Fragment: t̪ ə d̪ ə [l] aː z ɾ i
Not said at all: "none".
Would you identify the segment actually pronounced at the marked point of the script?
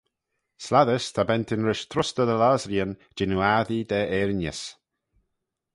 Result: l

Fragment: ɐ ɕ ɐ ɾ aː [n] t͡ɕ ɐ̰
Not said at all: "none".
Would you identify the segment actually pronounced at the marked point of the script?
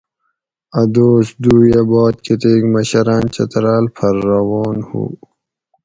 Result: n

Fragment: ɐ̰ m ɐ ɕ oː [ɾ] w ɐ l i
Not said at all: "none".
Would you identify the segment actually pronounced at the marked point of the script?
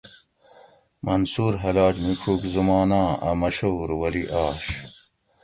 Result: ɾ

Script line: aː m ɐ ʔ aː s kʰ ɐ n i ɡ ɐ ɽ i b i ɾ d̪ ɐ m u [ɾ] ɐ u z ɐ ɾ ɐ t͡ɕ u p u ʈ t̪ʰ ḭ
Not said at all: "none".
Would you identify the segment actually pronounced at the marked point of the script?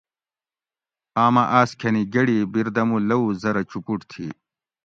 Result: l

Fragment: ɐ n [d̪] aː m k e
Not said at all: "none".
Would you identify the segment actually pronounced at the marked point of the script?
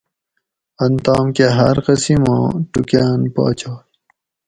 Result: t̪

